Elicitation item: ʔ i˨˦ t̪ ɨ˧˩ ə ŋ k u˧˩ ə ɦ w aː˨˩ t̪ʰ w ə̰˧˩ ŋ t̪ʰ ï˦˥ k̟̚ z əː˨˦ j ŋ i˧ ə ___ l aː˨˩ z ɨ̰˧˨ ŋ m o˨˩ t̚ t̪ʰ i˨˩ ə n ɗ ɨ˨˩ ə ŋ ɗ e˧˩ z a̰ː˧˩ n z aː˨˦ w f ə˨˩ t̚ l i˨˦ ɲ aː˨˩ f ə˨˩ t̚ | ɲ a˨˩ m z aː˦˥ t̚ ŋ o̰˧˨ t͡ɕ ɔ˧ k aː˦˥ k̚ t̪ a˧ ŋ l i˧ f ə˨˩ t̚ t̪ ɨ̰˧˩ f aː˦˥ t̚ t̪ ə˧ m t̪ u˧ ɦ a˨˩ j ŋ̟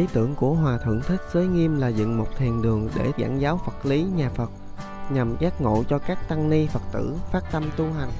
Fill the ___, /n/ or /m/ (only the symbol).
m